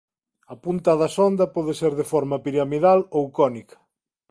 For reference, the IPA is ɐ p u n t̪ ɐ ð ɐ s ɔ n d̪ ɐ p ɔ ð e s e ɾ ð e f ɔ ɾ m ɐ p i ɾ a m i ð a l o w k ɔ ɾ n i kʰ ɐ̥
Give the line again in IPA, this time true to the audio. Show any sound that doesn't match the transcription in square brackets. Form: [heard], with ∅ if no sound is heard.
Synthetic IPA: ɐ p u n t̪ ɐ ð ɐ s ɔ n d̪ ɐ p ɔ ð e s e ɾ ð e f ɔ ɾ m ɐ p i ɾ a m i ð a l o w k ɔ [∅] n i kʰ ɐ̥